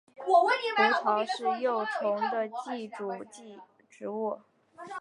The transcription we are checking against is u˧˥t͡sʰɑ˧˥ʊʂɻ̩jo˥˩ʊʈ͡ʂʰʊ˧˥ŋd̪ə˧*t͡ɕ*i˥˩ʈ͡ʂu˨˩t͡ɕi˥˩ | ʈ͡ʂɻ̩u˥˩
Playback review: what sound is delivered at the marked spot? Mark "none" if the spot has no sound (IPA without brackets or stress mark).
t͡ɕ